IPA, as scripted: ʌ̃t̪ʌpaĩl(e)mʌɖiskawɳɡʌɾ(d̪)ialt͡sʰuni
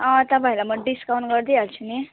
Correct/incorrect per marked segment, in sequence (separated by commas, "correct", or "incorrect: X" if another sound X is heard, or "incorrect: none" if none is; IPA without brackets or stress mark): incorrect: a, correct